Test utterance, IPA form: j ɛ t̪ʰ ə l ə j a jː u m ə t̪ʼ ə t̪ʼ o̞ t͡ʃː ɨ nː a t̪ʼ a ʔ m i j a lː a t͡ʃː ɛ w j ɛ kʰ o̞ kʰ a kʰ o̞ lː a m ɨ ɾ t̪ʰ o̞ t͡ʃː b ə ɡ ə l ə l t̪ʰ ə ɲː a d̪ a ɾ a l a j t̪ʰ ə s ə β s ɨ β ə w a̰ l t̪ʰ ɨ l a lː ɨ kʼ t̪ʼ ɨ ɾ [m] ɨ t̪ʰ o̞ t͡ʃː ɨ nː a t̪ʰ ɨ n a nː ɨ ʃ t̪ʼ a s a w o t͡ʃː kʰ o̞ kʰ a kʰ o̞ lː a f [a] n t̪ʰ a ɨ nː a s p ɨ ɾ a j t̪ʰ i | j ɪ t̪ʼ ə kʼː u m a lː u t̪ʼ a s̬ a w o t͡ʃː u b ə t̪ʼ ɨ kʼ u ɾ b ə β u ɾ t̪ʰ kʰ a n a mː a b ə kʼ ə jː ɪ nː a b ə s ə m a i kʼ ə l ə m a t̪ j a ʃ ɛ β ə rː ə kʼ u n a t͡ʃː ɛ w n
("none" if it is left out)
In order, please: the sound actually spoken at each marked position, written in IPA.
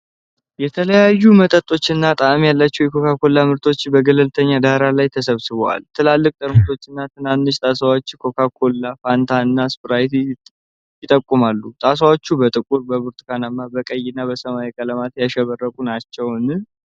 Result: m, a

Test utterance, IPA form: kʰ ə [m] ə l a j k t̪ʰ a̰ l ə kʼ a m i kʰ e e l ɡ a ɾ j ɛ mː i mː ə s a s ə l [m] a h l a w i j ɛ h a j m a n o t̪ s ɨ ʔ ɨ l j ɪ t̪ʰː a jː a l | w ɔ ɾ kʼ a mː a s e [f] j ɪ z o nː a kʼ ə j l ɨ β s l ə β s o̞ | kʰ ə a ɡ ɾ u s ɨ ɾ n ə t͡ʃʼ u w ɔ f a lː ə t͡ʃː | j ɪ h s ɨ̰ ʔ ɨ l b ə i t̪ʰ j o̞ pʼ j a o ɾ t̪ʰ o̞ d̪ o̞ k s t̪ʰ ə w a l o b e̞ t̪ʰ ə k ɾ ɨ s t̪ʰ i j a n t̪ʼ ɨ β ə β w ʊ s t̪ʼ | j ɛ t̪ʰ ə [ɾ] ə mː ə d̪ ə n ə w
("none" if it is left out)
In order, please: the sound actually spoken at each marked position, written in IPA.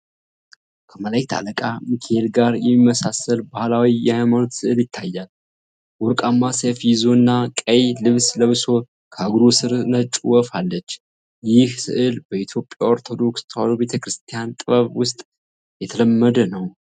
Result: m, b, f, l

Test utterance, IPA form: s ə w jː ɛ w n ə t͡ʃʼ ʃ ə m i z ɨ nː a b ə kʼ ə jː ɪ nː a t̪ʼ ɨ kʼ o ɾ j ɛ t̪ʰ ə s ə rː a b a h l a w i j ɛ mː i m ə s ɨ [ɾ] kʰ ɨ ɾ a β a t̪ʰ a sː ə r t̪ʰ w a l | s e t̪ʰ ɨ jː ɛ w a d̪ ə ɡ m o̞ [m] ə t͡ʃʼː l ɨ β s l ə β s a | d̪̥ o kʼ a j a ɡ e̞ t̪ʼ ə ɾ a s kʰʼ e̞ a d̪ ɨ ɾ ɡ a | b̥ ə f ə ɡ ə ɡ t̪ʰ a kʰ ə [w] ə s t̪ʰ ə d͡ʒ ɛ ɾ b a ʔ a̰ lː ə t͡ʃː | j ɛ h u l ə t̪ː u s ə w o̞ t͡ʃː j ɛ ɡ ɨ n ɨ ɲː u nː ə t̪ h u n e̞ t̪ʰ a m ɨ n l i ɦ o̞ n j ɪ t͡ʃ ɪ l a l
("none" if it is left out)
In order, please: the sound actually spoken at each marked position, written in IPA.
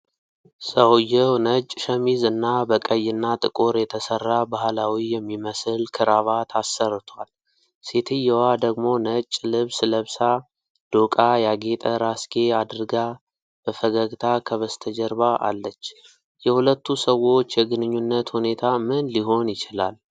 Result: l, n, β

